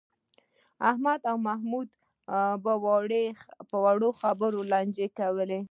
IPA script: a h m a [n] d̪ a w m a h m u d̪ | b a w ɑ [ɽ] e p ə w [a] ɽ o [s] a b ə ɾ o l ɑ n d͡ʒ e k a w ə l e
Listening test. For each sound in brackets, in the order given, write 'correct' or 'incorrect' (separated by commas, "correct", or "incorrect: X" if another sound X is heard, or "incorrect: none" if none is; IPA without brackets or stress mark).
incorrect: none, correct, correct, incorrect: x